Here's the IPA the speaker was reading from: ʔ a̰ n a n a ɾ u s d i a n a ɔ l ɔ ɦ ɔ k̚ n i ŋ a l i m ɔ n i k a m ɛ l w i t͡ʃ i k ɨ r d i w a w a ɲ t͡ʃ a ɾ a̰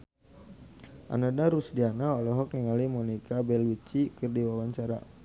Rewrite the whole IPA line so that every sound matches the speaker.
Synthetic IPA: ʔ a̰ n a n a ɾ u s d i a n a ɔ l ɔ ɦ ɔ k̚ n i ŋ a l i m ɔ n i k a b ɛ l w i t͡ʃ i k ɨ r d i w a w a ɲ t͡ʃ a ɾ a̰